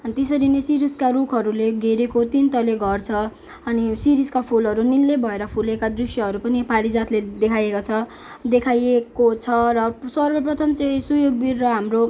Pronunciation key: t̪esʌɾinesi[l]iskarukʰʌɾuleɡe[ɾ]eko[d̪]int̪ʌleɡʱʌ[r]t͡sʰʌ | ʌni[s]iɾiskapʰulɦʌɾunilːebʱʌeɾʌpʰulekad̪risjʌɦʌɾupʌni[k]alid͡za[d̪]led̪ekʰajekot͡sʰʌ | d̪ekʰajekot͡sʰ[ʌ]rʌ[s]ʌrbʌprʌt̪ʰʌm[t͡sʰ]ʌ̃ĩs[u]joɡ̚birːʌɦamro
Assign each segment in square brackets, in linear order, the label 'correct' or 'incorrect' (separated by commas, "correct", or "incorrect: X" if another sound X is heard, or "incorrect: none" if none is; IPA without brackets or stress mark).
incorrect: ɾ, correct, incorrect: t̪, correct, correct, incorrect: p, incorrect: t̪, correct, correct, incorrect: t͡s, correct